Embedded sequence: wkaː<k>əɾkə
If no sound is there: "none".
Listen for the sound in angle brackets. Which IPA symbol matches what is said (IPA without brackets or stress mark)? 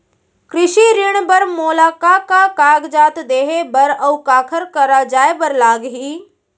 kʰ